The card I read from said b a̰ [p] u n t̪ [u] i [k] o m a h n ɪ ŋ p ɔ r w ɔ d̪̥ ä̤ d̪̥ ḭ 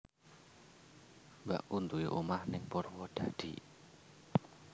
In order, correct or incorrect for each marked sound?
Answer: incorrect: ʔ, correct, incorrect: ʔ

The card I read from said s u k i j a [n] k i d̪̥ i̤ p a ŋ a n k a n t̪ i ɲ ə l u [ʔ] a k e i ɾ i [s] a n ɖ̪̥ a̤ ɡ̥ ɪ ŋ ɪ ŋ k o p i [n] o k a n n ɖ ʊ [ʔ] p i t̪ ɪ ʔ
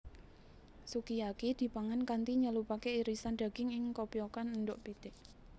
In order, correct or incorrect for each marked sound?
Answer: incorrect: none, incorrect: p, correct, incorrect: none, correct

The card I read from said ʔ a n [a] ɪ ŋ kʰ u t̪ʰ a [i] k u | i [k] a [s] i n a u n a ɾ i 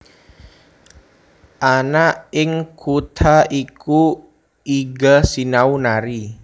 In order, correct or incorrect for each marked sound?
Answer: correct, correct, incorrect: ɡ, correct

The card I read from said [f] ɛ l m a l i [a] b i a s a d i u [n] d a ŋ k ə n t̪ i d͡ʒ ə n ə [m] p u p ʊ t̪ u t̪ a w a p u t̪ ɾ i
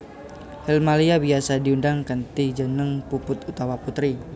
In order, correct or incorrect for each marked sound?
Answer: incorrect: h, correct, correct, incorrect: ŋ

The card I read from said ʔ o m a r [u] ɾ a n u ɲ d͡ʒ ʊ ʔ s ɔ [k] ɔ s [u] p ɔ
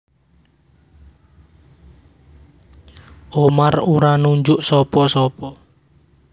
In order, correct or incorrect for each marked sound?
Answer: correct, incorrect: p, incorrect: ɔ

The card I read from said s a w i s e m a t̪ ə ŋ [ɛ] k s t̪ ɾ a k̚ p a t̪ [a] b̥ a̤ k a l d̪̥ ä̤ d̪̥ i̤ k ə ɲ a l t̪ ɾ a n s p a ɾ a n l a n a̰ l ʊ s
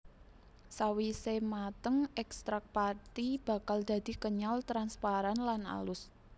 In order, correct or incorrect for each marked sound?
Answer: correct, incorrect: i

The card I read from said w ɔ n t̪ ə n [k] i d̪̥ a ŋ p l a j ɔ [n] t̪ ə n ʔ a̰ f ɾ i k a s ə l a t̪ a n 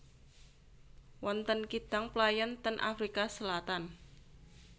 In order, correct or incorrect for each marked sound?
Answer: correct, correct

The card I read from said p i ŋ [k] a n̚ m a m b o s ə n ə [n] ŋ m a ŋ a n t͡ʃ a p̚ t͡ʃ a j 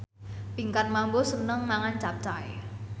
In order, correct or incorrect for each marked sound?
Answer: correct, incorrect: none

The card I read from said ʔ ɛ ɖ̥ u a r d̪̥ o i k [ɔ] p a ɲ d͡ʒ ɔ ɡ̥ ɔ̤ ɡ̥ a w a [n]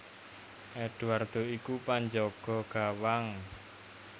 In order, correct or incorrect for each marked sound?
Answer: incorrect: u, incorrect: ŋ

